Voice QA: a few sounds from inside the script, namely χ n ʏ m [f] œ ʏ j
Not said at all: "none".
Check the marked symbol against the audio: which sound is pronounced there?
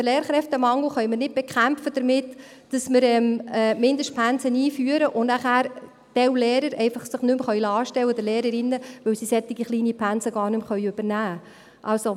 χ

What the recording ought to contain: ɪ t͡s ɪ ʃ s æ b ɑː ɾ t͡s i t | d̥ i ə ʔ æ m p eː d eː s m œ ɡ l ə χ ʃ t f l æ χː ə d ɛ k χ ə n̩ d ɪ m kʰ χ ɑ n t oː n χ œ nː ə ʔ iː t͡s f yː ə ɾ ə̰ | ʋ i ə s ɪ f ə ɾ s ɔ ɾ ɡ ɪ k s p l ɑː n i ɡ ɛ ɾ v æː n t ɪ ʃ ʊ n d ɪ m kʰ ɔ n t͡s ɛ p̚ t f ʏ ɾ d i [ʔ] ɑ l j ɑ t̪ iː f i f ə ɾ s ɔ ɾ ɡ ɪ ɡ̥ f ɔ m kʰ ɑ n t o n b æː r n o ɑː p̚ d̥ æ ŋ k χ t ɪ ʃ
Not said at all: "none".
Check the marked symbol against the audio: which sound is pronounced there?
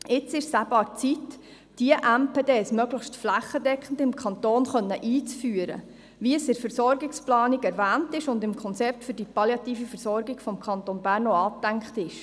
p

